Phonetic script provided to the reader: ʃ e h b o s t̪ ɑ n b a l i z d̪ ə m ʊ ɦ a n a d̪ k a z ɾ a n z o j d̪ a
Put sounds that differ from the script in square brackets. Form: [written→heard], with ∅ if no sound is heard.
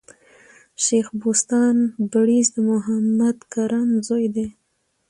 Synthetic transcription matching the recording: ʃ e [h→x] b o s t̪ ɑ n b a [l→ɽ] i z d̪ ə m ʊ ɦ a [n→m] a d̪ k a [z→∅] ɾ a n z o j d̪ [a→e]